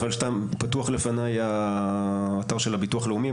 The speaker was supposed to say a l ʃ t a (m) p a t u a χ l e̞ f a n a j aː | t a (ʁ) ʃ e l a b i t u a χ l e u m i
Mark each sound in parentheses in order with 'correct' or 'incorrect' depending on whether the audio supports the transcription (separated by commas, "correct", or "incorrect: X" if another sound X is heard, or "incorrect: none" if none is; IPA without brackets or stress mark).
correct, correct